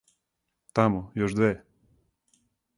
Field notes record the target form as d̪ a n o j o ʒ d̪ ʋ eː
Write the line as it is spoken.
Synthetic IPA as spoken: t̪ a m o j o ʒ d̪ ʋ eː